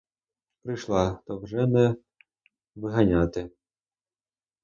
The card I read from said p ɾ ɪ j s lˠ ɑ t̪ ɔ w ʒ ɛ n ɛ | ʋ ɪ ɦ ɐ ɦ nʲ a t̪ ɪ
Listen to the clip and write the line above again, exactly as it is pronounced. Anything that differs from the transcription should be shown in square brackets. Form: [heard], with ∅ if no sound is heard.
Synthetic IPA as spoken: p ɾ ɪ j [ʃ] lˠ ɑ t̪ ɔ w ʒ ɛ n ɛ | ʋ ɪ ɦ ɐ [∅] nʲ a t̪ ɪ